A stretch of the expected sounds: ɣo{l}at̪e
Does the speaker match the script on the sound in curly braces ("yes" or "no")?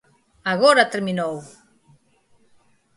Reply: no